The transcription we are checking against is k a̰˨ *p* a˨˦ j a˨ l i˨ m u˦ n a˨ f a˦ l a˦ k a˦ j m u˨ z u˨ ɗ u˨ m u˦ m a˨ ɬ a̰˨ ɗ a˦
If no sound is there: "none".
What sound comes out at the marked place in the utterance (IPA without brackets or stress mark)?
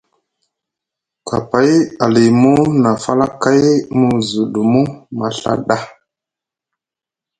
p